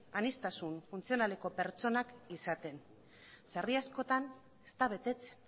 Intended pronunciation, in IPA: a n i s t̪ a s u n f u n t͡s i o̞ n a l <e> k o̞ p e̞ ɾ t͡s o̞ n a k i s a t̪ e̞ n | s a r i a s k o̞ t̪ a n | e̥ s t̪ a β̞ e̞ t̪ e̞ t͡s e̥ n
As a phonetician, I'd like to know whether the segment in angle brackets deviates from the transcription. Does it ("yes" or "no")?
no